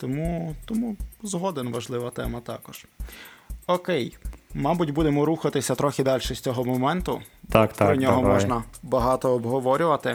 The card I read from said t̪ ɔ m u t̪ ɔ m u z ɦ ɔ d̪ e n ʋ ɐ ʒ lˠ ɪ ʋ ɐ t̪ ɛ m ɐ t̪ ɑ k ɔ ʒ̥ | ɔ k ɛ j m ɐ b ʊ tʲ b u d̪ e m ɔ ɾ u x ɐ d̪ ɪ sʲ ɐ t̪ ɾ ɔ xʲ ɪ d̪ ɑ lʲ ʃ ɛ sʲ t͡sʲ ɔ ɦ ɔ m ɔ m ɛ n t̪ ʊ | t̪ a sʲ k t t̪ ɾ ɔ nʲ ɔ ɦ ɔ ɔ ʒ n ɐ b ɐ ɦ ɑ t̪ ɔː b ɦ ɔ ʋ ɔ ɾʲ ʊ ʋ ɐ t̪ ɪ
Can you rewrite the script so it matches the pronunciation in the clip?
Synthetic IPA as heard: t̪ ɔ m u t̪ ɔ m u z ɦ ɔ d̪ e n ʋ ɐ ʒ lˠ ɪ ʋ ɐ t̪ ɛ m ɐ t̪ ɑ k ɔ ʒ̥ | ɔ k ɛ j m ɑ b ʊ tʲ b u d̪ e m ɔ ɾ u x ɐ t̪ ɪ sʲ ɐ t̪ ɾ ɔ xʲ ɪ d̪ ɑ lʲ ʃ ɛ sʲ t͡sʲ ɔ ɦ ɔ m ɔ m ɛ n t̪ ʊ | t̪ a k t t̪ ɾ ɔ nʲ ɔ ɦ ɔ ɔ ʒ n ɐ b ɐ ɦ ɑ t̪ ɔː b ɦ ɔ ʋ ɔ ɾʲ ʊ ʋ ɐ t̪ ɪ